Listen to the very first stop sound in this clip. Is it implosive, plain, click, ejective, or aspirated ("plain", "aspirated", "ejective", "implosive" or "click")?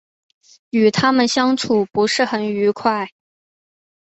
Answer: aspirated